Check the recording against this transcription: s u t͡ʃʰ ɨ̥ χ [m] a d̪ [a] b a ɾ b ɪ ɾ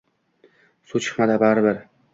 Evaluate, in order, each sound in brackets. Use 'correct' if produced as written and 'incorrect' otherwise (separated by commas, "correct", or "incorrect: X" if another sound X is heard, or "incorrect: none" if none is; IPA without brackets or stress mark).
correct, correct